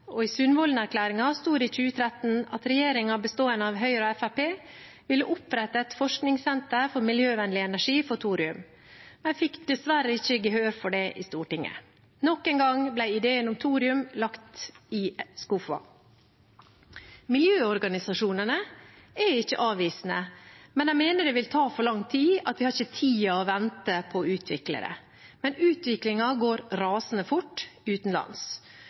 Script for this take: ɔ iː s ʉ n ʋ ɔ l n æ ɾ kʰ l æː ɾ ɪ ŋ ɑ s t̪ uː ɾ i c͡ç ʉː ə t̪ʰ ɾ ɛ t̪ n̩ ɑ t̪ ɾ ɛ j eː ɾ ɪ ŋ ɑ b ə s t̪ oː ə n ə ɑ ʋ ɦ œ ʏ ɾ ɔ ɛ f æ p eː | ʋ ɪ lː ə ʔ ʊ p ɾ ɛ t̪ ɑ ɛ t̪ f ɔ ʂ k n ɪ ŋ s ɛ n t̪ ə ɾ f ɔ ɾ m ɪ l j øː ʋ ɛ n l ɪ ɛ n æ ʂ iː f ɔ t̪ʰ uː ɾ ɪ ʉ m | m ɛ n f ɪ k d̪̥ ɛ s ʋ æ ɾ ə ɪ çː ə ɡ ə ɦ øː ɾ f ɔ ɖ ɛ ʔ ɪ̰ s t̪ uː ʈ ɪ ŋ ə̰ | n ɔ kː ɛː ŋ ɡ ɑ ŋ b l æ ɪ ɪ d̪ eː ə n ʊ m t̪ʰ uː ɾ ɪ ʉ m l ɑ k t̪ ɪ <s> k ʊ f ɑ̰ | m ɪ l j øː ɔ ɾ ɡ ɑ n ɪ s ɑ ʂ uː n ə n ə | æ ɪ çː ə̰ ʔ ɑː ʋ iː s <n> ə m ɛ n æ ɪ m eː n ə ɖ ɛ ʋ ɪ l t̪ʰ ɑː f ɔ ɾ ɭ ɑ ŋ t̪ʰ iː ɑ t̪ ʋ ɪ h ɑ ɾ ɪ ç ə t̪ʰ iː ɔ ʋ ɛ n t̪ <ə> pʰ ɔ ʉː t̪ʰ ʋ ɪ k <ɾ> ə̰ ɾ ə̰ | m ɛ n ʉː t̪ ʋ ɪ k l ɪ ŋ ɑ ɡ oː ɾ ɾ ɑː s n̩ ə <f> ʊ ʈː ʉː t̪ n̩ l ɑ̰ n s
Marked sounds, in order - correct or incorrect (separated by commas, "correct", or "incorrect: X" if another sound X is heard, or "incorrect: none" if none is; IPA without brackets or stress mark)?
correct, correct, correct, incorrect: l, correct